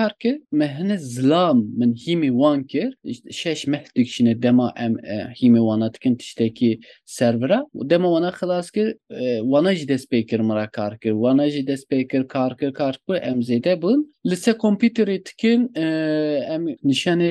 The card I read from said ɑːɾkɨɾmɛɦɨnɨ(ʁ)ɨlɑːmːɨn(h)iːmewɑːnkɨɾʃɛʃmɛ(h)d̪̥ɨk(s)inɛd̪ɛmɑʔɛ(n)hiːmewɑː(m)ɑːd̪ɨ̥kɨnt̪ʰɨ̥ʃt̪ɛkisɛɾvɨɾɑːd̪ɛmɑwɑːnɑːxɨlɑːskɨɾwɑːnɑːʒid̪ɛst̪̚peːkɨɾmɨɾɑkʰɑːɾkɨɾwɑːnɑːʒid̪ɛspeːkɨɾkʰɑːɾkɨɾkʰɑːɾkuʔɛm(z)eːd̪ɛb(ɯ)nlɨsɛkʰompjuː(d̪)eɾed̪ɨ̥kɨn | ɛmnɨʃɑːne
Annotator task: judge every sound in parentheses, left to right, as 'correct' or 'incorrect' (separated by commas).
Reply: incorrect, correct, correct, incorrect, incorrect, incorrect, correct, incorrect, incorrect